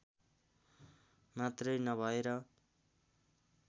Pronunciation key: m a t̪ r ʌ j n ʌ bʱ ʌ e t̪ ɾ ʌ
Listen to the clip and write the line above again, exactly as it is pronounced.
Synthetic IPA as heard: m a t̪ r ʌ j n ʌ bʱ ʌ e ɾ ʌ

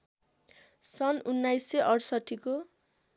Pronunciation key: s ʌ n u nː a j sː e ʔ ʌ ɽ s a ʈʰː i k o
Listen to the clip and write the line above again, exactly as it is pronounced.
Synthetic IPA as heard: s ʌ n u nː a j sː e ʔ ʌ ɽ s ʌ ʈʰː i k o

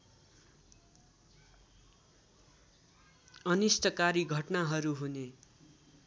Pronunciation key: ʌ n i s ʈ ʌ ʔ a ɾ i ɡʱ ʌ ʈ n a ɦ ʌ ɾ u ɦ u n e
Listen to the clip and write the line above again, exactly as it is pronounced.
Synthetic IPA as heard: ʌ n i s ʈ ʌ k a ɾ i ɡʱ ʌ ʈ n a ɦ ʌ ɾ u ɦ u n e

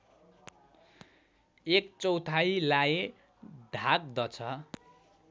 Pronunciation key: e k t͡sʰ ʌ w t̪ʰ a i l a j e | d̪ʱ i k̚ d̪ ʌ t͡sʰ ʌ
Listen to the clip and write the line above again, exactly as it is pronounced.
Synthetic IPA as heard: e k t͡s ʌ w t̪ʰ a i l a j e | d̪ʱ a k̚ d̪ ʌ t͡sʰ ʌ

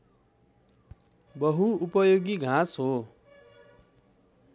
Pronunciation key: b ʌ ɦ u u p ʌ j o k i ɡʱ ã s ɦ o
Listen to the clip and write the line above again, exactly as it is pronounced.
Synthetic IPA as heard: b ʌ ɦ u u p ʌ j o ɡ i ɡʱ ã s ɦ o

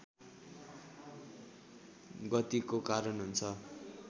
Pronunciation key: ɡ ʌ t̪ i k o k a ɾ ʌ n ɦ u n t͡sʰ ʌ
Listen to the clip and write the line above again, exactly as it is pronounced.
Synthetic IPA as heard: ɡ ʌ t̪ i k o k a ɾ ʌ n ɦ u n t͡sʰ ʌ

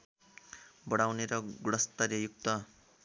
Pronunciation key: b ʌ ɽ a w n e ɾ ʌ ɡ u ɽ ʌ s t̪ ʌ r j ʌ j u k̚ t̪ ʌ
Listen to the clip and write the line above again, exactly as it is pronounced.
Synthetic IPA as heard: b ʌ ɽ a w n e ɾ ʌ ɡ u ɽ ʌ s t̪ ʌ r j ʌ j u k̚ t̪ ʌ

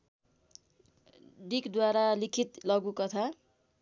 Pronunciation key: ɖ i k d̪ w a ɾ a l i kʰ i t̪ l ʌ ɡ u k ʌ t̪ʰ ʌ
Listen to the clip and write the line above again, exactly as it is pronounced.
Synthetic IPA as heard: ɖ i k d̪ w a ɾ a l i kʰ i t̪ l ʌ ɡ u k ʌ t̪ʰ a

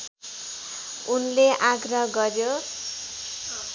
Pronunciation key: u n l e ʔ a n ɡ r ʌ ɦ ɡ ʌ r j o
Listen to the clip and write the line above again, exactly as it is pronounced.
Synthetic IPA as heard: u n l e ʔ a ɡ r ʌ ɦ ɡ ʌ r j o

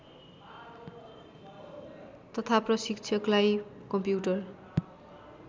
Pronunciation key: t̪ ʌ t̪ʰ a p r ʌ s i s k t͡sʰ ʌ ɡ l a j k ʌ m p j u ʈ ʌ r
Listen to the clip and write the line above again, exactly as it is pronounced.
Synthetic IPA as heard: t̪ ʌ t̪ʰ a p r ʌ s i k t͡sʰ ʌ k l a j k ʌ m p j u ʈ ʌ r

